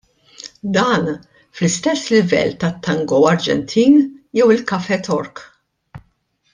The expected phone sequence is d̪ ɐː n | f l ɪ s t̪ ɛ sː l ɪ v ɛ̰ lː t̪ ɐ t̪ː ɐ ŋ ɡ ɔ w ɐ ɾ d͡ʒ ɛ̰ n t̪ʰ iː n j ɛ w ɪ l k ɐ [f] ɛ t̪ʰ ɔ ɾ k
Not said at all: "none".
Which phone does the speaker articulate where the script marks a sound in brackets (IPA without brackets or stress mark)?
f